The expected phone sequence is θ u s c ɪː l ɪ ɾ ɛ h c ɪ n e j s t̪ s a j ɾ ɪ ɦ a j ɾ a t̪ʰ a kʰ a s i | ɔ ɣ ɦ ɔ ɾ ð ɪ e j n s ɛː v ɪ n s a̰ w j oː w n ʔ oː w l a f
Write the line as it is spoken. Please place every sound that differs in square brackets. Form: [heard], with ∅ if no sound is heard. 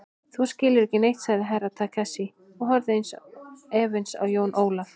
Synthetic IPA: θ u s c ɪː l ɪ ɾ ɛ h c ɪ n e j [h] t̪ s a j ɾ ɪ ɦ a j ɾ a t̪ʰ a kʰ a s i | ɔ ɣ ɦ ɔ ɾ ð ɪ e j n s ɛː v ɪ n s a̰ w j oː w n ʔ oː w l a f